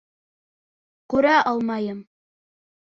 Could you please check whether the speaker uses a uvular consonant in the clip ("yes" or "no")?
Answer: no